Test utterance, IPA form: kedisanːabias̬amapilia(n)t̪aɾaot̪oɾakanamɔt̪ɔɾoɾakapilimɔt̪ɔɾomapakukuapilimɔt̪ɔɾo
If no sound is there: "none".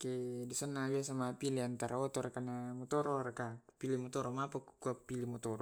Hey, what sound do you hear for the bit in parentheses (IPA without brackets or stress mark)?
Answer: n